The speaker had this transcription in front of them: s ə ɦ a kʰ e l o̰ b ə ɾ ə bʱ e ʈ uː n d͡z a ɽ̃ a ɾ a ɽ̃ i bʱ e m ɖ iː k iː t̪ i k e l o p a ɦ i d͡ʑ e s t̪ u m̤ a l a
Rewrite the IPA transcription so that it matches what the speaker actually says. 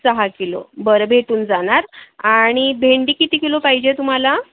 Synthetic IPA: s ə ɦ a k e l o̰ b ə ɾ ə bʱ e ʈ uː n d͡z a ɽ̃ a ɾ a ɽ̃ i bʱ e ɳ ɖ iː k i t̪ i k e l o p a ɦ i d͡ʑ e t̪ u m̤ a l a